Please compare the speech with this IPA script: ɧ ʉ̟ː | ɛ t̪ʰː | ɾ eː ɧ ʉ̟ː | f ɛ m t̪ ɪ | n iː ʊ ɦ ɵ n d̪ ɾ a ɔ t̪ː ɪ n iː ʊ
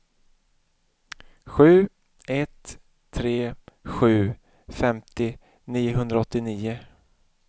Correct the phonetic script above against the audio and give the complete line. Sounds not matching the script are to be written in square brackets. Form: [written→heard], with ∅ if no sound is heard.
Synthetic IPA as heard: ɧ ʉ̟ː | ɛ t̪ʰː | ɾ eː ɧ ʉ̟ː | f ɛ m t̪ ɪ | n iː ʊ ɦ ɵ n d̪ ɾ a ɔ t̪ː ɪ n iː ʊ